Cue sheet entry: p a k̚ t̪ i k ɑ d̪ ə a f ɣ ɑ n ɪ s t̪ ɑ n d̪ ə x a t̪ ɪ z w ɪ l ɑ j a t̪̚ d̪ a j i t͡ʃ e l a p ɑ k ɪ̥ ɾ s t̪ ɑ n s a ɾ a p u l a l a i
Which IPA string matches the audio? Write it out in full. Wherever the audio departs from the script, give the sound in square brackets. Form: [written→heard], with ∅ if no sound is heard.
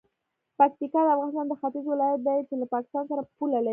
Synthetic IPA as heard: p a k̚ t̪ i k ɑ d̪ ə a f ɣ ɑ n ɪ s t̪ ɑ n d̪ ə x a t̪ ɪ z w ɪ l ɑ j a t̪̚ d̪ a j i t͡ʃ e l a p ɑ k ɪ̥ [ɾ→∅] s t̪ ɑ n s a ɾ a p u l a l a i